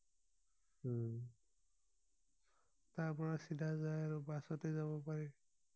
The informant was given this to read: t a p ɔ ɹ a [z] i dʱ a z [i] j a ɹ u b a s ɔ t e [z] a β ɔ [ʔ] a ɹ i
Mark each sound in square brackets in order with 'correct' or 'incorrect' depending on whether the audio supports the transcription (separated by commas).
incorrect, incorrect, correct, incorrect